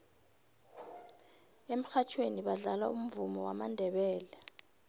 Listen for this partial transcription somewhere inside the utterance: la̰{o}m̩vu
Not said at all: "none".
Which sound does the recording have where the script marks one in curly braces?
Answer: u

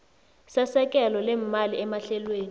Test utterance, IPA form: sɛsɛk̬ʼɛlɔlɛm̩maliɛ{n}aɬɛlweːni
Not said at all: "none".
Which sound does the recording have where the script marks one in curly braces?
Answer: m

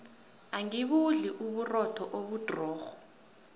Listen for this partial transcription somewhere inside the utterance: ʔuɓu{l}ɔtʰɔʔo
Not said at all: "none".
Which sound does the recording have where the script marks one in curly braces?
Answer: r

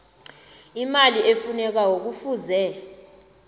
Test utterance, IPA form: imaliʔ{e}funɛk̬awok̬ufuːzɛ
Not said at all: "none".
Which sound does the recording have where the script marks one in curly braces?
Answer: e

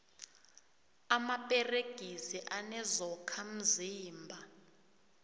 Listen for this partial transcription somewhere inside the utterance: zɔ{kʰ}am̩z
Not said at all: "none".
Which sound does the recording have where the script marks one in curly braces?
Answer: kʰ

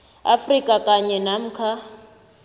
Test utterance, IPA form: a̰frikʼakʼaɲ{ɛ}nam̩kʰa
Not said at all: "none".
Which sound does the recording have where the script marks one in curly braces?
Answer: ɛ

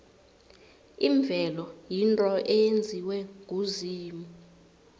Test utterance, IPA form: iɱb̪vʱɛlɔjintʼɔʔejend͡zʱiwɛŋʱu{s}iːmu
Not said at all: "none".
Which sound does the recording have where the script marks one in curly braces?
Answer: z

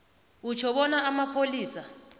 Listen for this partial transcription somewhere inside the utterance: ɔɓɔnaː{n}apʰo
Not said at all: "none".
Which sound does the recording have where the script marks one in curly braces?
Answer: m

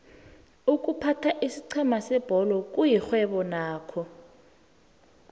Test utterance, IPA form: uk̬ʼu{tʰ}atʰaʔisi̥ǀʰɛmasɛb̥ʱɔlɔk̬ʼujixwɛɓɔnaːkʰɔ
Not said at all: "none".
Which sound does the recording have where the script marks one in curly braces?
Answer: pʰ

